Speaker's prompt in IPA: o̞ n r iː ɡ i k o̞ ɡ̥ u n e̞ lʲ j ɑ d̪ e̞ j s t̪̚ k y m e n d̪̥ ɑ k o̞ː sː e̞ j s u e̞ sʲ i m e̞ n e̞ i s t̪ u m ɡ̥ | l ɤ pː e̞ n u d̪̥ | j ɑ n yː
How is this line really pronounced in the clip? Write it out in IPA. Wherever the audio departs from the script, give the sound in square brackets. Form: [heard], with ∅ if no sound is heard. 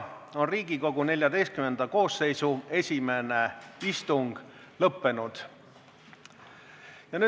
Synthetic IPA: o̞ n r iː ɡ i k o̞ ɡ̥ u n e̞ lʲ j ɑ d̪ e̞ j s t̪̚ k y m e n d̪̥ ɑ k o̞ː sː e̞ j s u e̞ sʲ i m e̞ n e̞ i s t̪ u [ŋ] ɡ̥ | l ɤ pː e̞ n u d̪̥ | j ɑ n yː